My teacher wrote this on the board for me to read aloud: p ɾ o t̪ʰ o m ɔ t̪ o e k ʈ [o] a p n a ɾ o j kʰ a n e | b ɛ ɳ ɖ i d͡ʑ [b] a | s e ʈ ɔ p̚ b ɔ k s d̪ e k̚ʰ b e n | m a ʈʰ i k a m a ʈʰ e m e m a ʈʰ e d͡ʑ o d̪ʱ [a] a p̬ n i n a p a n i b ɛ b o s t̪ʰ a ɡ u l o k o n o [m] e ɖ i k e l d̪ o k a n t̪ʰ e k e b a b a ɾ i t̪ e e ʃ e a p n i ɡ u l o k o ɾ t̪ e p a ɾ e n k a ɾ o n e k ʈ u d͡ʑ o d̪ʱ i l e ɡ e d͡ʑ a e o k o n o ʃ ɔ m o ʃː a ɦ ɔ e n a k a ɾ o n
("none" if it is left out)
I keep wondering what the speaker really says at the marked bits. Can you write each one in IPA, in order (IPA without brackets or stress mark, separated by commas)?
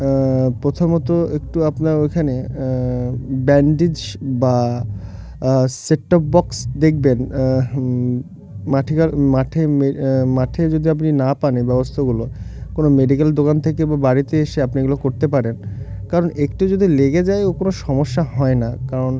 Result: u, b, i, m